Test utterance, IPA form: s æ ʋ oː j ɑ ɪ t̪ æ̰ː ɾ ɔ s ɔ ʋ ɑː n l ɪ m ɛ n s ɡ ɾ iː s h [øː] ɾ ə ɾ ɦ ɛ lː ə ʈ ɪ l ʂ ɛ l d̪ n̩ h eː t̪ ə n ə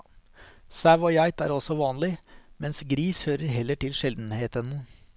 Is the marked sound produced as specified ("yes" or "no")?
yes